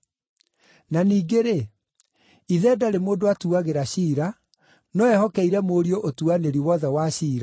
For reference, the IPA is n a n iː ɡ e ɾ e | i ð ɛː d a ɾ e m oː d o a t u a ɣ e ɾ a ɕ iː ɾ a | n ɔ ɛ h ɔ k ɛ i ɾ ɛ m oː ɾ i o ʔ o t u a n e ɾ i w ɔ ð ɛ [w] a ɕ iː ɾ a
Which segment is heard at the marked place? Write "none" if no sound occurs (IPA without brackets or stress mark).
w